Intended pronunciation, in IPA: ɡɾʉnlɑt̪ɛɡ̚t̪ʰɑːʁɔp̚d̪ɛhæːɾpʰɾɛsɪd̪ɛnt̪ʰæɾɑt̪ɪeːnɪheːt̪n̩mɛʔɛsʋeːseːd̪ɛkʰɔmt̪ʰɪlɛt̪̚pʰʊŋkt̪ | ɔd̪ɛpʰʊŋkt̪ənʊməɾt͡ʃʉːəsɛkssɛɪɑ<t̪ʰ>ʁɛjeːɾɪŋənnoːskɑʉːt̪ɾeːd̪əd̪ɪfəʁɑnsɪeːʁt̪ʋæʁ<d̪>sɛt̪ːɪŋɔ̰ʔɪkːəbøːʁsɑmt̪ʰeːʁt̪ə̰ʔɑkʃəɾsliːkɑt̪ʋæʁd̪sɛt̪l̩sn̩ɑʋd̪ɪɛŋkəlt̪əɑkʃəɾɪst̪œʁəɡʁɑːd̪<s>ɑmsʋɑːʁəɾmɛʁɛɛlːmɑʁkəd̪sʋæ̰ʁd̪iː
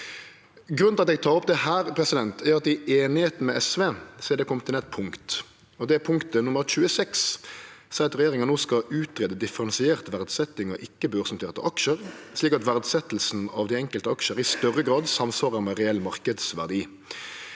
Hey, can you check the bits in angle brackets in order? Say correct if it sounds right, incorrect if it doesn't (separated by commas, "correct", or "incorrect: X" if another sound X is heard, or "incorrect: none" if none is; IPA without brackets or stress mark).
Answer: incorrect: t̪, correct, correct